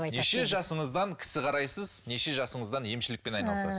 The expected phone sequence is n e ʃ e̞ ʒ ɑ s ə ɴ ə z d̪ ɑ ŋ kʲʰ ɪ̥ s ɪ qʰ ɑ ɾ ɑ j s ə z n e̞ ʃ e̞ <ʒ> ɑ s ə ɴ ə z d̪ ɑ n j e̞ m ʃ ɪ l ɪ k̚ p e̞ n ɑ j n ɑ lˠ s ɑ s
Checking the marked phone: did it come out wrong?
no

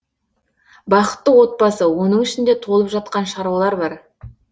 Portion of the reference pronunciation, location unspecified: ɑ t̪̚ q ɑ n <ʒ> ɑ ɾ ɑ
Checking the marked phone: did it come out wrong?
yes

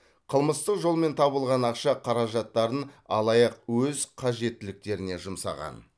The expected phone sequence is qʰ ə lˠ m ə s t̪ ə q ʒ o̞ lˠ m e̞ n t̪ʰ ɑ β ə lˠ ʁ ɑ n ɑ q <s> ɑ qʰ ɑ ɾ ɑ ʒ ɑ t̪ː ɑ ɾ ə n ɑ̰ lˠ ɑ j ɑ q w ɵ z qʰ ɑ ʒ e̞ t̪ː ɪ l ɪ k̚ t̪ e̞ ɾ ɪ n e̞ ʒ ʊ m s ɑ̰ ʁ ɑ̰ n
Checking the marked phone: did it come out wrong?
yes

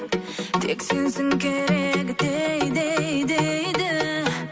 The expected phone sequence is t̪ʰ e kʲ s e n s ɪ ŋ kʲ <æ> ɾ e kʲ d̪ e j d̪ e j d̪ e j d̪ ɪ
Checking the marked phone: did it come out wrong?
yes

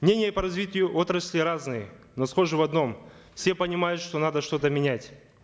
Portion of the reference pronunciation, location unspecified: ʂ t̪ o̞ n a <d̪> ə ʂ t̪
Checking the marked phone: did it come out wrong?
no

